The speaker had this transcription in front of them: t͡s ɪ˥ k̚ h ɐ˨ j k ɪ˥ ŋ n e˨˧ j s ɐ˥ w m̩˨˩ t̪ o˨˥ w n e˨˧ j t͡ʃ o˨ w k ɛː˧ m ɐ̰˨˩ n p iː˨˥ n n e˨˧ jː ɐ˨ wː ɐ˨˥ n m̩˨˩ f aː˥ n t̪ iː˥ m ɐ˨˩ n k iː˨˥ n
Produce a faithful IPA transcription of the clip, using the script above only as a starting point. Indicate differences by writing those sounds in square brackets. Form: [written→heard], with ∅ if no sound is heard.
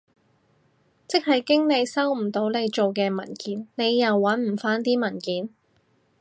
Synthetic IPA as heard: t͡s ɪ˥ k̚ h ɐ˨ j k ɪ˥ ŋ n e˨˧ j s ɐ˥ w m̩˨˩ t̪ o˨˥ w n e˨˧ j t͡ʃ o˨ w k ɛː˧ m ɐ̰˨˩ n [p→k] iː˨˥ n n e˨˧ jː ɐ˨ wː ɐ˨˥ n m̩˨˩ f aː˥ n t̪ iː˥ m ɐ˨˩ n k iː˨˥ n